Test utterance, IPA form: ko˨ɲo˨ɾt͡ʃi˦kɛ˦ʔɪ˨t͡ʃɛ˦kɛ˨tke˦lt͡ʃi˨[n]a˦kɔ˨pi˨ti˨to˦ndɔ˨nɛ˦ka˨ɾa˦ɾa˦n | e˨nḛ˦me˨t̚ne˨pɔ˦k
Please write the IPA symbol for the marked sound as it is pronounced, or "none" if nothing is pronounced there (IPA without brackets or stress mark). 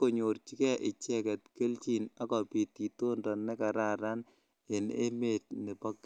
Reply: n